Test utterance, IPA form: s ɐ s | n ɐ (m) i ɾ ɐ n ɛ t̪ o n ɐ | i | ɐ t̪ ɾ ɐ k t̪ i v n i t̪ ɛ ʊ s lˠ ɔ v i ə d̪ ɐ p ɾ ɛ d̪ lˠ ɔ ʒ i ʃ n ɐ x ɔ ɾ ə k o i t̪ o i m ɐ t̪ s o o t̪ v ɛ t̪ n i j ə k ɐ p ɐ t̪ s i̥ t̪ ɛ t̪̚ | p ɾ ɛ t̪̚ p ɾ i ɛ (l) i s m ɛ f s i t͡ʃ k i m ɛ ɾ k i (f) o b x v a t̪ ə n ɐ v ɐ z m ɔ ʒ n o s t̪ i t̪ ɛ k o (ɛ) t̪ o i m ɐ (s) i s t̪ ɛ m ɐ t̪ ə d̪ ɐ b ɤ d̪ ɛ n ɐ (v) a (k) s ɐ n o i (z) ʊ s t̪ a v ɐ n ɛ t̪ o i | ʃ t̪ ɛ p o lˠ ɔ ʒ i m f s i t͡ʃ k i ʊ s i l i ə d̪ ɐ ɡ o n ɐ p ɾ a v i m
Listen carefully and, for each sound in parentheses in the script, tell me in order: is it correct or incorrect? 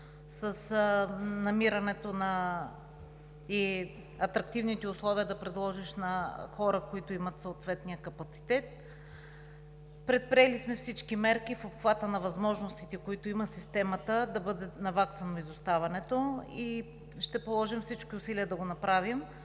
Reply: correct, correct, correct, incorrect, correct, correct, correct, correct

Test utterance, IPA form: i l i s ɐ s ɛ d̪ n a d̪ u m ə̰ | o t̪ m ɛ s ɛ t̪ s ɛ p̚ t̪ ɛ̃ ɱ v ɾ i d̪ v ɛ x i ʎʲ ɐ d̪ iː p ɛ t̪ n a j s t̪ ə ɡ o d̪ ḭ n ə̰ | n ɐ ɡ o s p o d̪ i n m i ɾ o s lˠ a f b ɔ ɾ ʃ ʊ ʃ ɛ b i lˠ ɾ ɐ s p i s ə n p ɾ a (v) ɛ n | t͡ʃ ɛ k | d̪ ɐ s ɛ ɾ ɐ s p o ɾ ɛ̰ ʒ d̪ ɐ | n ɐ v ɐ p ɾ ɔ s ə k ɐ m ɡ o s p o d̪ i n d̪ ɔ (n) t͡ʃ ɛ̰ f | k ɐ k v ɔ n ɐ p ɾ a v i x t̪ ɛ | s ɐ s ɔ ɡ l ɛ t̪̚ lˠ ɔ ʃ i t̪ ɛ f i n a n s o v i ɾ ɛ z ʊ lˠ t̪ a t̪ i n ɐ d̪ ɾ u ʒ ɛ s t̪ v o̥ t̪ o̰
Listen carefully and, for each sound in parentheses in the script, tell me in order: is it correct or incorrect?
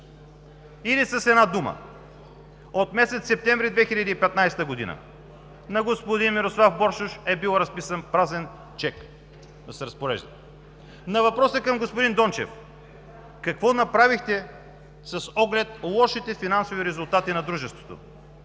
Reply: incorrect, correct

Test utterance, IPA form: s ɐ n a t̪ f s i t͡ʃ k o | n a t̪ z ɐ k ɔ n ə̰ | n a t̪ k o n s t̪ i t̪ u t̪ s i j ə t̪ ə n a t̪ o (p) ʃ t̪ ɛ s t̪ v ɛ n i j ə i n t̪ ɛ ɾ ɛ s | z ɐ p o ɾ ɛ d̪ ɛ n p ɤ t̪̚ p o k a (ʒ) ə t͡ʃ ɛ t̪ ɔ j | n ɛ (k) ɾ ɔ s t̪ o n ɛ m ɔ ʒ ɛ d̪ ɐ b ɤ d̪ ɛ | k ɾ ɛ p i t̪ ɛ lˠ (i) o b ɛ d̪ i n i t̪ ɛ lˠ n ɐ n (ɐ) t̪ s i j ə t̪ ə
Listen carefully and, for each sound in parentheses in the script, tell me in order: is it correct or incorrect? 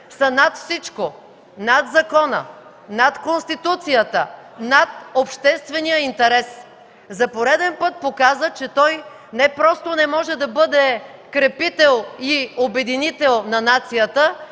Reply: correct, incorrect, incorrect, correct, incorrect

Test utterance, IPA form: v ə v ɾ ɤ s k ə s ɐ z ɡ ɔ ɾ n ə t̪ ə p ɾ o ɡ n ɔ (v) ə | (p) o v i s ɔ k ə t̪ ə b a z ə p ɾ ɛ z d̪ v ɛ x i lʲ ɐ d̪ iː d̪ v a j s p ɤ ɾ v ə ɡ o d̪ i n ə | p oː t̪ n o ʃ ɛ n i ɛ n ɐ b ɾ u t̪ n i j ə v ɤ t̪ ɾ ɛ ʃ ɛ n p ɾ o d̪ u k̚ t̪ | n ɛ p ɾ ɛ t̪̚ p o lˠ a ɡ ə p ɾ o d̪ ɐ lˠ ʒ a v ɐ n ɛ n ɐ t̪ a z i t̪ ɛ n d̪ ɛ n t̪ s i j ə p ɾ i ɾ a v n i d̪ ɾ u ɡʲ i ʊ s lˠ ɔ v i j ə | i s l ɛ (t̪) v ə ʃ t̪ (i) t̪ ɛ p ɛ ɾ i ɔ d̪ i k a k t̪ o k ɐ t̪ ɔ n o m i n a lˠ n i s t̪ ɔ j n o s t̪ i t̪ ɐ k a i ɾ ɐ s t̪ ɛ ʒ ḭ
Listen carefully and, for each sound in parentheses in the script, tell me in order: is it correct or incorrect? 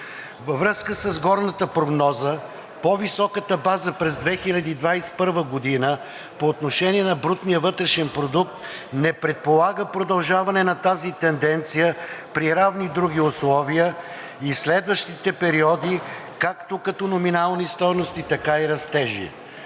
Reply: incorrect, correct, incorrect, correct

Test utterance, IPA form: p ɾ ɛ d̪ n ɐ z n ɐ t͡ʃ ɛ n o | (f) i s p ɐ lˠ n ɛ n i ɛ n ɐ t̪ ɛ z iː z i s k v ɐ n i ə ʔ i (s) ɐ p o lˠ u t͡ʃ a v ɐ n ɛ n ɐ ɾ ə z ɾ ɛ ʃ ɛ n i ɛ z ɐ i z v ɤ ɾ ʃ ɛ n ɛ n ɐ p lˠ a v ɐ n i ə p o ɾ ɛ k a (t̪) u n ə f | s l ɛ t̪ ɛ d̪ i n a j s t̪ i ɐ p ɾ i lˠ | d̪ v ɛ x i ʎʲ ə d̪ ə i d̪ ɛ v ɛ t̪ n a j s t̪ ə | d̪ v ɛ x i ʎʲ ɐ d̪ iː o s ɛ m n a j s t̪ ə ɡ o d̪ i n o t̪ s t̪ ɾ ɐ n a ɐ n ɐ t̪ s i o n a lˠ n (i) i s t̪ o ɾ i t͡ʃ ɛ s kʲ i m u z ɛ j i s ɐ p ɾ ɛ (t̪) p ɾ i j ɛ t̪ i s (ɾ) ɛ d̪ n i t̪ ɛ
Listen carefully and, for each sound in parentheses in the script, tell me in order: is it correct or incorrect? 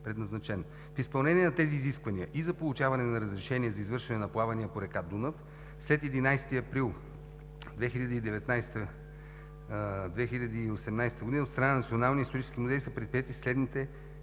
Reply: correct, incorrect, incorrect, correct, correct, incorrect

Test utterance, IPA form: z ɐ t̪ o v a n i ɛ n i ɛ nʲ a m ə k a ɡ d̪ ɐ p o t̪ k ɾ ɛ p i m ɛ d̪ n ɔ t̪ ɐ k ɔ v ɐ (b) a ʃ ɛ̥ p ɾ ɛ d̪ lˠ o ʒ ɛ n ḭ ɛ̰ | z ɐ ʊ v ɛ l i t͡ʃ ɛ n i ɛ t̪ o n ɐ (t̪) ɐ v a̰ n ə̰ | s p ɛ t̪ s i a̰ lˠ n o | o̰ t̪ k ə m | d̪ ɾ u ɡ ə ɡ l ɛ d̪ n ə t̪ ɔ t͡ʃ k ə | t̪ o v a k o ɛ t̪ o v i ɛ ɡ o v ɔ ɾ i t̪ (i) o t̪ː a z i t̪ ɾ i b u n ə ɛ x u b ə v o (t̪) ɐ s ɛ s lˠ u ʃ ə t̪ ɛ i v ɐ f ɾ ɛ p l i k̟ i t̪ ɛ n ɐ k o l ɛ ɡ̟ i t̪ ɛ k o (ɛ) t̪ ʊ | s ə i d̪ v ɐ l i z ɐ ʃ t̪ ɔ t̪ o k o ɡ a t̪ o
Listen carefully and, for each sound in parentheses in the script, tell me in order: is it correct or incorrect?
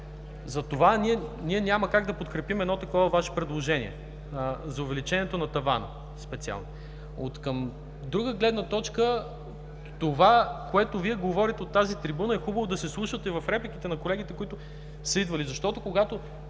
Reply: incorrect, correct, incorrect, incorrect, incorrect

